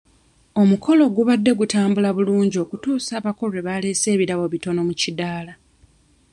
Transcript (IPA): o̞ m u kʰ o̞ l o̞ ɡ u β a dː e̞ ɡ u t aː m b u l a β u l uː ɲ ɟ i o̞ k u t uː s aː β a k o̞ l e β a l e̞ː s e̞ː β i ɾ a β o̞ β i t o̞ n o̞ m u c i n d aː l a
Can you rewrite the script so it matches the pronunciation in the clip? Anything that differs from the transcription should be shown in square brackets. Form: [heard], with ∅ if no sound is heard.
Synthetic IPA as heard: o̞ m u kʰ o̞ l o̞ ɡ u β a dː e̞ ɡ u t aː m b u l a β u l uː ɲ ɟ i o̞ k u t uː s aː β a k o̞ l e β a l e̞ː s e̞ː β i ɾ a β o̞ β i t o̞ n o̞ m u c i [∅] d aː l a